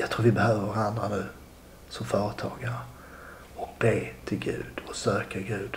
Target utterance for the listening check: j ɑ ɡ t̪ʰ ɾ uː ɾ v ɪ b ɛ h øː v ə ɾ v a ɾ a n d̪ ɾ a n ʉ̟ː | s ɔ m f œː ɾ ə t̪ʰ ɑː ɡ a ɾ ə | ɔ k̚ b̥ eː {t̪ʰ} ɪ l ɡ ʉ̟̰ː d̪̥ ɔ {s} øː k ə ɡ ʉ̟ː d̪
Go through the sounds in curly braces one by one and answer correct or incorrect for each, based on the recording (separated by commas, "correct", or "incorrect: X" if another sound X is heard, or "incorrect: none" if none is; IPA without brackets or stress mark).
correct, correct